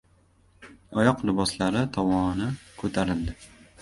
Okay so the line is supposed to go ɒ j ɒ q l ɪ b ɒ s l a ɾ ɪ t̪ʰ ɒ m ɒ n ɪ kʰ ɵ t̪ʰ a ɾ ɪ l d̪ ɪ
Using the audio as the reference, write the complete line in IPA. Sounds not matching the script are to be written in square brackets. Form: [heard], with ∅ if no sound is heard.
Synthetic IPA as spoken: ɒ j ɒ q l ɪ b ɒ s l a ɾ ɪ t̪ʰ ɒ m ɒ n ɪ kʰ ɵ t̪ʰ a ɾ ɪ l d̪ ɪ